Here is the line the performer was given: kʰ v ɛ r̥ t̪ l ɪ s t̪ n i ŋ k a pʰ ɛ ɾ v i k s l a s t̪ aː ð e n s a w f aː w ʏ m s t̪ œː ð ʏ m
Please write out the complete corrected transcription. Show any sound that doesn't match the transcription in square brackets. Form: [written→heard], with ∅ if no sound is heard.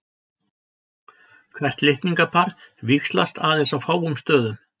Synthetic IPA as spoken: kʰ v ɛ r̥ t̪ l ɪ [s→h] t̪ n i ŋ k a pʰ [ɛ→a] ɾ v i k s l a s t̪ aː ð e n s a w f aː w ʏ m s t̪ œː ð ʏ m